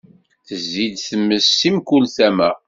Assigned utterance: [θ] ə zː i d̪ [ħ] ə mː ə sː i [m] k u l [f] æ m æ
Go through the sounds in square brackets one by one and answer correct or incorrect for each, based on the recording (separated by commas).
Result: correct, incorrect, correct, incorrect